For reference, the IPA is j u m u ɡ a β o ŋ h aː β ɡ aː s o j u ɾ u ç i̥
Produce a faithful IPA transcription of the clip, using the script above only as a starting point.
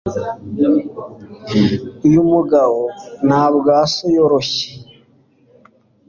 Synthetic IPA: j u m u ɡ a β o n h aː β ɡ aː s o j o ɾ o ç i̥